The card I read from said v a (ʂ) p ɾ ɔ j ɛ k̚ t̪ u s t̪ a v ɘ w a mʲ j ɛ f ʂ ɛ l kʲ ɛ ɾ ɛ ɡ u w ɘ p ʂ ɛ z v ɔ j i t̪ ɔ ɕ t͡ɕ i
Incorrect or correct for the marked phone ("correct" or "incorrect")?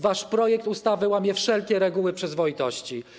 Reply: correct